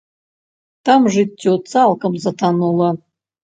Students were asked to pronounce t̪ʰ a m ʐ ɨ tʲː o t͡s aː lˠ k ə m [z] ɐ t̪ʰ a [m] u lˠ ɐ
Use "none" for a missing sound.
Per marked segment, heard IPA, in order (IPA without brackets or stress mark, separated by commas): z, n